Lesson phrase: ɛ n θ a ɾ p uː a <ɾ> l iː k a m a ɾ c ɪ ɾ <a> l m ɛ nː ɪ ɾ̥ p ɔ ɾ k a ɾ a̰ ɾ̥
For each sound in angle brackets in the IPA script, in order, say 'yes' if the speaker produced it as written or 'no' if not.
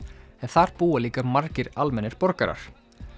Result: no, yes

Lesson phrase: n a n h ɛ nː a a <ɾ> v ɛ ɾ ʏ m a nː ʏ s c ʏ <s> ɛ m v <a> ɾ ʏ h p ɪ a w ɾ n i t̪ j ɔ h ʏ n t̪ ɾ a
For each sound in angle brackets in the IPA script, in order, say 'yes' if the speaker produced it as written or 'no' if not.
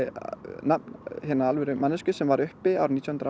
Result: no, yes, yes

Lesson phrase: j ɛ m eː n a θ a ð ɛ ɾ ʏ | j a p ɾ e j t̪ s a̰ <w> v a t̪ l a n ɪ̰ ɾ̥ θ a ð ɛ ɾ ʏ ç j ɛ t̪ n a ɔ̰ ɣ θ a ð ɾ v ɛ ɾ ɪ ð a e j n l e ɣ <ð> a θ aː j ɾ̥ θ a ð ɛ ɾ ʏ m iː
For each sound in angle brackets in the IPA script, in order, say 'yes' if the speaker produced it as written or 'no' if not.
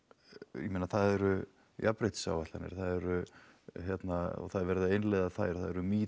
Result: yes, yes

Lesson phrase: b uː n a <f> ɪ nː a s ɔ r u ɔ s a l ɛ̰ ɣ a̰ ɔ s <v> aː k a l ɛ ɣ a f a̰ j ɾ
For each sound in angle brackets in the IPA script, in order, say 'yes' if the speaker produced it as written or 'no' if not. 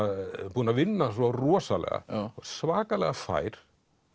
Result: no, yes

